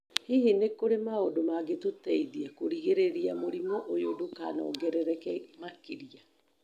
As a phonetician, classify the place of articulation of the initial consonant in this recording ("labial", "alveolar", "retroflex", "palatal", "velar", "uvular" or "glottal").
glottal